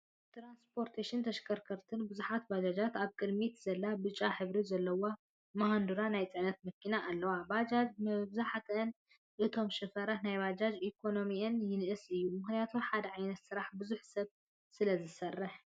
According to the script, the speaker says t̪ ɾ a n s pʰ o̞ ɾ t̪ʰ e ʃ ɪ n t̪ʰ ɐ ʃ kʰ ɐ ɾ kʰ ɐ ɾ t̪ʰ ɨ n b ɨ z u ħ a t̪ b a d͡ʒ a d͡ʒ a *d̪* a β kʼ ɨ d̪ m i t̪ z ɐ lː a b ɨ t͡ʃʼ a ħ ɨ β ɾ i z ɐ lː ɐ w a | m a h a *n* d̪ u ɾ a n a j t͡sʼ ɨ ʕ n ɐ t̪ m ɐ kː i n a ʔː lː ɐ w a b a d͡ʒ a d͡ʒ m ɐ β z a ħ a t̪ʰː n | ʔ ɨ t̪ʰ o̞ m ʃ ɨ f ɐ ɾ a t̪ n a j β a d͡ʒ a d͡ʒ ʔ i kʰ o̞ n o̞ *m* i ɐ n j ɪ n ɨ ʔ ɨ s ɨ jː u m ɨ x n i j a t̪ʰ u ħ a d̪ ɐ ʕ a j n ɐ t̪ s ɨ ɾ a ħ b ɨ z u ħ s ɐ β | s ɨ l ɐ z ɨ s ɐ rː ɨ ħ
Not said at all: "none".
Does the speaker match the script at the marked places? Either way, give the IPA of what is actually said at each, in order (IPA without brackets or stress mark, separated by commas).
t̪, n, m